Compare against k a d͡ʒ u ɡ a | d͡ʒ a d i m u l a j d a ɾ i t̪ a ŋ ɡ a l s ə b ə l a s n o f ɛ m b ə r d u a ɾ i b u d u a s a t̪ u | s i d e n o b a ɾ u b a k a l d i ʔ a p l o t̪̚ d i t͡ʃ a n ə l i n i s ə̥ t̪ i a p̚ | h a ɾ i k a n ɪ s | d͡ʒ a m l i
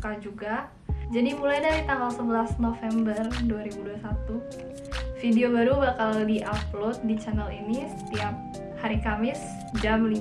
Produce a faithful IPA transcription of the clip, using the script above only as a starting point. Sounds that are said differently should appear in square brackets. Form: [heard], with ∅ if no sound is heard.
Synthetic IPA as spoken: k a d͡ʒ u ɡ a | d͡ʒ a d i m u l a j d a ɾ i t̪ a ŋ ɡ a l s ə b ə l a s n o f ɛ m b ə r d u a ɾ i b u d u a s a t̪ u | [f] i d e [∅] o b a ɾ u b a k a l d i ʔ a p l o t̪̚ d i t͡ʃ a n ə l i n i s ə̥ t̪ i a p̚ | h a ɾ i k a [m] ɪ s | d͡ʒ a m l i

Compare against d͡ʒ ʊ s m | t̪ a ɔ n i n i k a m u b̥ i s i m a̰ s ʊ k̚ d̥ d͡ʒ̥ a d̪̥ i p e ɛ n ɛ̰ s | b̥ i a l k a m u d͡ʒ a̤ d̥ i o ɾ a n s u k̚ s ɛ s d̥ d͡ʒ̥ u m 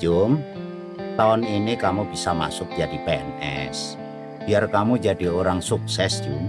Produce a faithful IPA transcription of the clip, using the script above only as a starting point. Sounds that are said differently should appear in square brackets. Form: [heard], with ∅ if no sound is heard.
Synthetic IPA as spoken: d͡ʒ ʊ [∅] m | t̪ a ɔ n i n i k a m u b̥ i s [a] m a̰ s ʊ k̚ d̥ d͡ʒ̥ a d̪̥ i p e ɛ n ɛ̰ s | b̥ i a [r] k a m u d͡ʒ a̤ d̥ i o ɾ a [ŋ] s u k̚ s ɛ s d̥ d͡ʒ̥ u m

